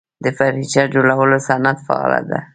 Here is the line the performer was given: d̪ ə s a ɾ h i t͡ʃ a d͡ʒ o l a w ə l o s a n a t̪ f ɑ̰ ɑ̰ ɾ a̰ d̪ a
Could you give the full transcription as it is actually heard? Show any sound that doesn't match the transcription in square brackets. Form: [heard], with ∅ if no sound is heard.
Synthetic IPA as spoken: d̪ ə [f] a ɾ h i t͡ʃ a d͡ʒ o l a w ə l o s a n a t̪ f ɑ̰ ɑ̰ [l] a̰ d̪ a